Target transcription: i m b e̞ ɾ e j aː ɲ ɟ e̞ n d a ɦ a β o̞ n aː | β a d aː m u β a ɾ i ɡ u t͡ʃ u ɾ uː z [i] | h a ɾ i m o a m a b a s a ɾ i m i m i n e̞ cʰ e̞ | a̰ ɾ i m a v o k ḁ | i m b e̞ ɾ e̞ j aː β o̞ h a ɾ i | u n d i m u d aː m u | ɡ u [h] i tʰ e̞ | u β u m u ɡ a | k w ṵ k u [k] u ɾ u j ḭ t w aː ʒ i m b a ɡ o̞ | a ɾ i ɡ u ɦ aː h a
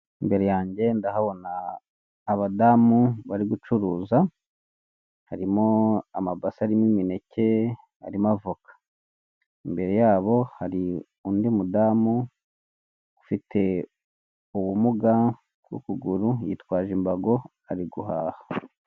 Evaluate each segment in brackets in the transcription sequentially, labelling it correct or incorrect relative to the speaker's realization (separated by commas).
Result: incorrect, incorrect, incorrect